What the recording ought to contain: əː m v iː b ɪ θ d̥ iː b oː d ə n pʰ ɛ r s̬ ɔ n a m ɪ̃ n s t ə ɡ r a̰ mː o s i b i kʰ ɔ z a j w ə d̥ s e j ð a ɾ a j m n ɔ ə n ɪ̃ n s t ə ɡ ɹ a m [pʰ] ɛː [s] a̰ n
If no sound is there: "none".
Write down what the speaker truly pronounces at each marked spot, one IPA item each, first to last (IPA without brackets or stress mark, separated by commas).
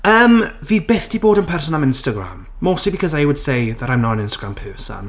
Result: pʰ, s